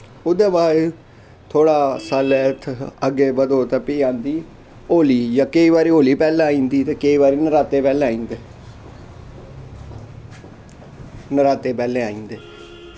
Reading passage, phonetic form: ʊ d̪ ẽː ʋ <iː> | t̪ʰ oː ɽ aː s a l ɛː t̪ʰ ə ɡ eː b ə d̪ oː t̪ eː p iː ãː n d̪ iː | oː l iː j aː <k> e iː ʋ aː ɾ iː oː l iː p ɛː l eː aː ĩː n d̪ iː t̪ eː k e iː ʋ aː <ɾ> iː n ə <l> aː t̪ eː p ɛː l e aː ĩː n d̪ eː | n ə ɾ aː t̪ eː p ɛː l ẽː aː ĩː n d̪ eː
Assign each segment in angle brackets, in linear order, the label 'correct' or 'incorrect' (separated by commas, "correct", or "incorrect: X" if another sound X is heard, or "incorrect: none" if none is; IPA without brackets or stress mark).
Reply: incorrect: aː, correct, correct, incorrect: ɾ